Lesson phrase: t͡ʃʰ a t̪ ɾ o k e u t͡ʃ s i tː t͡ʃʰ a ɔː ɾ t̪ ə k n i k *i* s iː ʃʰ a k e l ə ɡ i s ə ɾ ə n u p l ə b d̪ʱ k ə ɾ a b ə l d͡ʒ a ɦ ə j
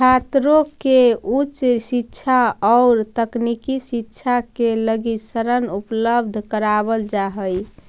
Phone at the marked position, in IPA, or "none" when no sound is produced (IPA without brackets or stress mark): i